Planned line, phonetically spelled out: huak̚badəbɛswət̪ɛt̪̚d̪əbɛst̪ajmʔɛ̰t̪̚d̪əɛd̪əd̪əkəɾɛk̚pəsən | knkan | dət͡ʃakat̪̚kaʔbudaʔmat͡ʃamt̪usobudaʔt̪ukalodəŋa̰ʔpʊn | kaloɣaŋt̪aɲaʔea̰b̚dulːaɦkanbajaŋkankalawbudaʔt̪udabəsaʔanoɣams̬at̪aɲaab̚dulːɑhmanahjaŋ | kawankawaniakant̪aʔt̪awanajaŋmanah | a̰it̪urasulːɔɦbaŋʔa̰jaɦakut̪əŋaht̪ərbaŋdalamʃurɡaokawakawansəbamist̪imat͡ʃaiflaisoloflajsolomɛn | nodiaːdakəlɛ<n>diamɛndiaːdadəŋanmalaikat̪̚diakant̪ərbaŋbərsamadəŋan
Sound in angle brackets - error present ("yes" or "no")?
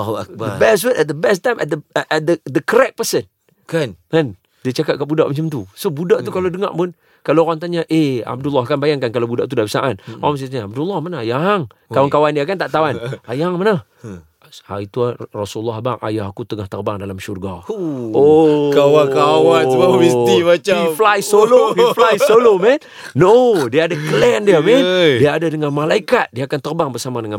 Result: no